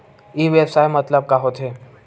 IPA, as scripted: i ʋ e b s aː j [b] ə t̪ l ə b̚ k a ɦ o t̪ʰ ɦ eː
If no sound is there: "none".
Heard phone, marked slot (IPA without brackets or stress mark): m